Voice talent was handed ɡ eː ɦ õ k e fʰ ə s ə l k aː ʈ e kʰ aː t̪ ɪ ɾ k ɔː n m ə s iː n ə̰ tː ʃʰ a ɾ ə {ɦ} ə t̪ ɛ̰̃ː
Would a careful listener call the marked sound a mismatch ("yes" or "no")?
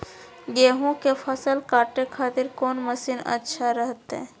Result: no